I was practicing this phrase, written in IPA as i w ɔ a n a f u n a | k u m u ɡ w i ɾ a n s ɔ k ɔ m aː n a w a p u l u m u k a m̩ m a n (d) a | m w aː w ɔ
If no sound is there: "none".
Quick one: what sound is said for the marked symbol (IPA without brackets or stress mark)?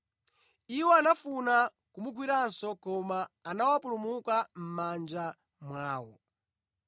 d͡ʒ